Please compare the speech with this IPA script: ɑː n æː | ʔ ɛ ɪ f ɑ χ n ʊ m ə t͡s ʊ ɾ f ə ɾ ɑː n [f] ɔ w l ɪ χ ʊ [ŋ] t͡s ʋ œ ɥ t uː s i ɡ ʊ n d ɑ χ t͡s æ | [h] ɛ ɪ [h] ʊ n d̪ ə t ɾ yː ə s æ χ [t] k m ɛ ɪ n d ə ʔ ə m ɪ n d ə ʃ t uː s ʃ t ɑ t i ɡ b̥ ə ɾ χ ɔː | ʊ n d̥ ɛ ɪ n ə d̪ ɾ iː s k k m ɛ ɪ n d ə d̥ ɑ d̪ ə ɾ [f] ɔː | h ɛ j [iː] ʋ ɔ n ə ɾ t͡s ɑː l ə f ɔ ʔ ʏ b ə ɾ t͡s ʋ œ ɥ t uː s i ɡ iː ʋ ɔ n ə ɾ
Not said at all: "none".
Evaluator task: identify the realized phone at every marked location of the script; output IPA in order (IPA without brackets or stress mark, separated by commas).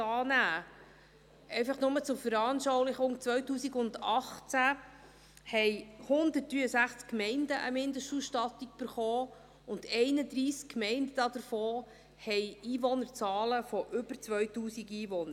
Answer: ʃ, ŋ, h, h, t͡s, f, iː